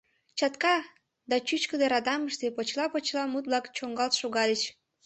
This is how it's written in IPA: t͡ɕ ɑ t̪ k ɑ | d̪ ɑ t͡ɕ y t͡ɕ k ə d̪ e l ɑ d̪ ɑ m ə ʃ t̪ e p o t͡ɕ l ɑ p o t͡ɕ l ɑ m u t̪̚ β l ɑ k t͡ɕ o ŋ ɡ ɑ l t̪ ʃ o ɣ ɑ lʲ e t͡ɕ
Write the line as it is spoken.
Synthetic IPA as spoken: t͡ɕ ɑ t̪ k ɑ | d̪ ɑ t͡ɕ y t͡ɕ k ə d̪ e ɾ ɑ d̪ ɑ m ə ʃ t̪ e p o t͡ɕ l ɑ p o t͡ɕ l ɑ m u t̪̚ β l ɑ k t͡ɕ o ŋ ɡ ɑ l t̪ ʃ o ɣ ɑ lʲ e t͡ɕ